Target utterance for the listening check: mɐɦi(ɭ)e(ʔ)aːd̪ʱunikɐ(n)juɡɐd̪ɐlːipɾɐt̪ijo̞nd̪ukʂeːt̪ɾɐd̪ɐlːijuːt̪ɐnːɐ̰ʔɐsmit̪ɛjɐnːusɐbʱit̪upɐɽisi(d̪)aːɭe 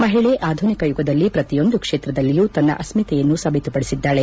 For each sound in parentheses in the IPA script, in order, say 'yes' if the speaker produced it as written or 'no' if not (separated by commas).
yes, yes, no, no